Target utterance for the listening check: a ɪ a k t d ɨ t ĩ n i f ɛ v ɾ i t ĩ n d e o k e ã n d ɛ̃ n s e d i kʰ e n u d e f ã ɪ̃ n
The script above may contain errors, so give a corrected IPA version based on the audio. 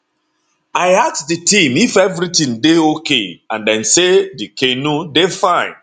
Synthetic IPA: a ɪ a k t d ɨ t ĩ m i f ɛ v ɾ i t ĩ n d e o k e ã n d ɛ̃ n s e d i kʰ e n u d e f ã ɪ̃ n